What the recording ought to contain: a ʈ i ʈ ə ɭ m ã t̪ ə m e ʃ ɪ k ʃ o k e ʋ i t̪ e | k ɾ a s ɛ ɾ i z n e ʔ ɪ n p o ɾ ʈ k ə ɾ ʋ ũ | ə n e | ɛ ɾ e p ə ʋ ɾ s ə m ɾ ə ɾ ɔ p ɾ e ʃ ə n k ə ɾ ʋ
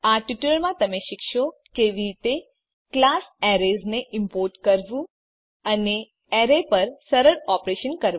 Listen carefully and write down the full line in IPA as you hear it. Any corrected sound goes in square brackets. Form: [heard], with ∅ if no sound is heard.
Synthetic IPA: a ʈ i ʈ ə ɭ m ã t̪ ə m e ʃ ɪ k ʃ o k e ʋ i t̪ e | k [l] a s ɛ ɾ [e] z n e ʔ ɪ [m] p o ɾ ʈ k ə ɾ ʋ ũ | ə n e | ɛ ɾ e p ə [∅] ɾ s ə [∅] ɾ ə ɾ ɔ p ɾ e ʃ ə n k ə ɾ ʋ

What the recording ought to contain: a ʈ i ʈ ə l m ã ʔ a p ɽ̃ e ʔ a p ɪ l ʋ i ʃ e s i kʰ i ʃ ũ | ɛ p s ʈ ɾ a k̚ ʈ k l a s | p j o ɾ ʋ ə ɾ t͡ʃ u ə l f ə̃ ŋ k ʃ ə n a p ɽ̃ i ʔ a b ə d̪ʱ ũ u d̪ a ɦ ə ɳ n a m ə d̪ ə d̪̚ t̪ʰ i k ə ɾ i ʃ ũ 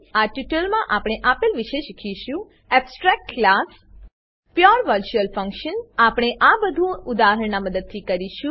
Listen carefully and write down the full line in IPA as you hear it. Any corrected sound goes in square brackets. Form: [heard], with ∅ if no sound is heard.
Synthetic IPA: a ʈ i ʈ ə l m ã ʔ a p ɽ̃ e ʔ a p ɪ l ʋ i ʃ e [ʃ] i kʰ i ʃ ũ | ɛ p s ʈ ɾ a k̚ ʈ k l a s | p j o ɾ ʋ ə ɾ t͡ʃ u ə l f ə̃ ŋ k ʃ ə n a p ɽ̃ [e] ʔ a b ə d̪ʱ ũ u d̪ a ɦ ə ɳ n a m ə d̪ ə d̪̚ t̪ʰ i k ə ɾ i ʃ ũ

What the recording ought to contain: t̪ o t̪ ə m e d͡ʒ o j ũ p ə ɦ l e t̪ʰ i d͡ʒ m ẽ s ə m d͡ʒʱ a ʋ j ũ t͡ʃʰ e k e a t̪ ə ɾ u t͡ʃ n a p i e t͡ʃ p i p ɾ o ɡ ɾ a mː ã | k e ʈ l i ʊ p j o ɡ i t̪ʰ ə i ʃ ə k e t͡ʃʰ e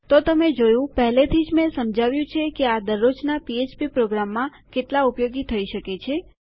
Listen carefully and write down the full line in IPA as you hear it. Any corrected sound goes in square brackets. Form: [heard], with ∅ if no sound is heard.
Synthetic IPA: t̪ o t̪ ə m e d͡ʒ o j ũ p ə ɦ l e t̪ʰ i d͡ʒ m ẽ s ə m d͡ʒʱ a ʋ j ũ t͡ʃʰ e k e a [d̪] ə ɾ [o] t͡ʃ n a p i e t͡ʃ p i p ɾ o ɡ ɾ a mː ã | k e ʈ l [a] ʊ p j o ɡ i t̪ʰ ə i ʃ ə k e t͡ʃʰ e

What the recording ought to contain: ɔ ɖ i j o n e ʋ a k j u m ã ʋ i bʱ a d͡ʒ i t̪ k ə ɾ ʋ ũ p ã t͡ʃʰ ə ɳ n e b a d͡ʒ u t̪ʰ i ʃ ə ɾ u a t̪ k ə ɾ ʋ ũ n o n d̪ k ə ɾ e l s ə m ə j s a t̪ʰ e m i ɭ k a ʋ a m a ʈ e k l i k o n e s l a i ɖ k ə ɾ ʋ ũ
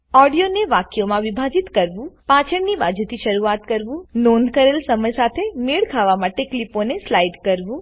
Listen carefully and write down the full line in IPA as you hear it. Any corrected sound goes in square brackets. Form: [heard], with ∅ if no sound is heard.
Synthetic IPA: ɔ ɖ i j o n e ʋ a k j [o] m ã ʋ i bʱ a d͡ʒ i t̪ k ə ɾ ʋ ũ p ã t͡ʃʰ ə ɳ n [i] b a d͡ʒ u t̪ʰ i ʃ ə ɾ u a t̪ k ə ɾ ʋ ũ n o n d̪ k ə ɾ e l s ə m ə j s a t̪ʰ e m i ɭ [kʰ] a ʋ a m a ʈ e k l i [p] o n e s l a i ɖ k ə ɾ ʋ ũ

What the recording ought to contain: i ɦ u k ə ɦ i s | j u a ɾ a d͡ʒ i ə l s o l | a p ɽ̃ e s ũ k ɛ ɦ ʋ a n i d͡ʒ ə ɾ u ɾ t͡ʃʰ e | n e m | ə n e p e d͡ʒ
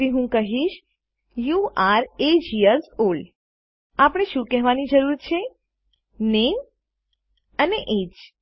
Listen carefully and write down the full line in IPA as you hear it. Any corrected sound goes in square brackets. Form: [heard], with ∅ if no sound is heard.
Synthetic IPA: i ɦ [ũ] k ə ɦ i [ʃ] | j u a ɾ [e] d͡ʒ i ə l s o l | a p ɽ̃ e [ʃ] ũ k ɛ ɦ ʋ a n i d͡ʒ ə ɾ u ɾ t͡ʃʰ e | n e m | ə n e [ʔ] e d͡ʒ

